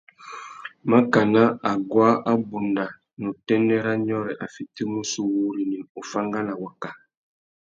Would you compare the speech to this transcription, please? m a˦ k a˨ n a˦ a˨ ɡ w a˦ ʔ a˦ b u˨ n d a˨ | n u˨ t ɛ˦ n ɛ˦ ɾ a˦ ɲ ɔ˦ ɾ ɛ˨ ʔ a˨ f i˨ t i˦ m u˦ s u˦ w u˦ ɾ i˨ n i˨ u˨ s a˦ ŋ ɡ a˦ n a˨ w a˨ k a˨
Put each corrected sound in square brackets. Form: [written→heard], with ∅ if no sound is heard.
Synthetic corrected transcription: m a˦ k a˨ n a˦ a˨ ɡ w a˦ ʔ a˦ b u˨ n d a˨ | n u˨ t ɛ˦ n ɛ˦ ɾ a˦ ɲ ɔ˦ ɾ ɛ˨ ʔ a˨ f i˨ t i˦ m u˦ s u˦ w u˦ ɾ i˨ n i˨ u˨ [s→f] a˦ ŋ ɡ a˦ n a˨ w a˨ k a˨